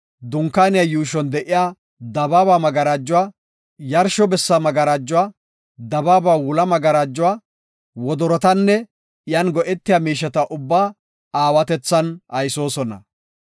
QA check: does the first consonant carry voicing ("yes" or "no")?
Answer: yes